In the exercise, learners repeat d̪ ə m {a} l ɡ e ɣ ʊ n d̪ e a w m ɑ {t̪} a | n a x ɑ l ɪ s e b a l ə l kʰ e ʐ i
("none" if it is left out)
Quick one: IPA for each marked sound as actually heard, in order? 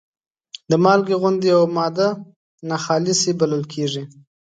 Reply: ɑ, d̪

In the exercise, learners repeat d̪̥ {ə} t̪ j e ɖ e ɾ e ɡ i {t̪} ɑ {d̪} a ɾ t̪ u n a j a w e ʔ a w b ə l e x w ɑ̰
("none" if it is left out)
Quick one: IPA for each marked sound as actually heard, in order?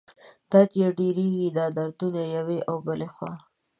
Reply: ɑ, d̪, d̪

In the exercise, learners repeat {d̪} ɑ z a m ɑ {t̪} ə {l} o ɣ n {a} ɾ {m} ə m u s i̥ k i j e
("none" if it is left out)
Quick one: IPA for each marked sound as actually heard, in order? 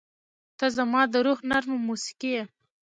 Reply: t̪, d̪, ɾ, a, m

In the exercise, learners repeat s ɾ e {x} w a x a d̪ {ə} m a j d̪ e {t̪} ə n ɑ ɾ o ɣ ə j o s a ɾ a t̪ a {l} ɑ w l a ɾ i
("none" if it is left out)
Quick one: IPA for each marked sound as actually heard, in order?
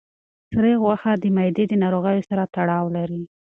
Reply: ɣ, ə, d̪, ɽ

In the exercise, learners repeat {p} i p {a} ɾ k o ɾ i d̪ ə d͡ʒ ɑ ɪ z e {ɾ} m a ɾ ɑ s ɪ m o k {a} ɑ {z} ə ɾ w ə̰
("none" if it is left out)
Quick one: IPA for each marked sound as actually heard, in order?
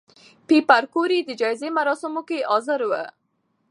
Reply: p, a, none, e, z

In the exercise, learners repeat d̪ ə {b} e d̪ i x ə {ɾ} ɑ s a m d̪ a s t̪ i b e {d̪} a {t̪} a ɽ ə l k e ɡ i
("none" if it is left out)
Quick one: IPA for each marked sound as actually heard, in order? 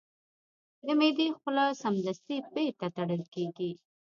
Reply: m, l, t̪, t̪

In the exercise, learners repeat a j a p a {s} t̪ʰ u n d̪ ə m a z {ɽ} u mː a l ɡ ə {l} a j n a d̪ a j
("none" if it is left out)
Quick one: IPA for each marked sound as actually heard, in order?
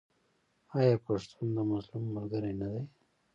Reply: ʂ, l, ɾ

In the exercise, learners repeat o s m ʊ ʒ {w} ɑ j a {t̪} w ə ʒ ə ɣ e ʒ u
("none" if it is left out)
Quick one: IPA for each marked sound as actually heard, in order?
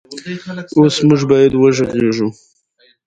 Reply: b, d̪

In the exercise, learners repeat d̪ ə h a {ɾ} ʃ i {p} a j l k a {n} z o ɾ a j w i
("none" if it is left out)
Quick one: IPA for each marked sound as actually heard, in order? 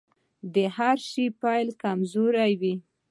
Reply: ɾ, p, m

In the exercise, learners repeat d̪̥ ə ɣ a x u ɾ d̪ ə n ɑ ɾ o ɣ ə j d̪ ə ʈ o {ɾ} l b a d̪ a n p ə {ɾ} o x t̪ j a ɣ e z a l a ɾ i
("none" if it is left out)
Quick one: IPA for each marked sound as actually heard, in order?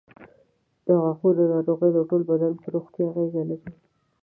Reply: none, ɾ

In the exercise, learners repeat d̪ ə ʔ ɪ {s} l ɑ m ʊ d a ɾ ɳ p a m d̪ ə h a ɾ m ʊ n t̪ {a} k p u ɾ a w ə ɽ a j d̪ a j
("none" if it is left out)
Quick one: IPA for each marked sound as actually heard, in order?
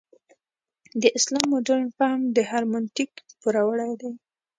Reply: s, i

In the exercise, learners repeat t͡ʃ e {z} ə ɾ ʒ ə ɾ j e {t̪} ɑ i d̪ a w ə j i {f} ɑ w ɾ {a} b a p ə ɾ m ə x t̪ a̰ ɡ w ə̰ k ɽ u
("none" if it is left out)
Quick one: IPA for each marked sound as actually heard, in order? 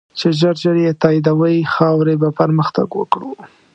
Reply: ʒ, t̪, x, e

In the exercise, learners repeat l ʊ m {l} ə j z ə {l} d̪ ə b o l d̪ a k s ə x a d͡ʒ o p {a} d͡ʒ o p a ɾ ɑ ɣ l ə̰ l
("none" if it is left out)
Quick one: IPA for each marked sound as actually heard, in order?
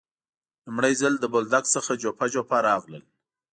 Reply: ɽ, l, a

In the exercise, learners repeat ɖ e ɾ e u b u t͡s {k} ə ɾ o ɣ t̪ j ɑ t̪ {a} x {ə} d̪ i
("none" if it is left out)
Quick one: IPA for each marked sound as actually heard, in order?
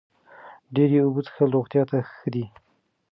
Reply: x, a, ə

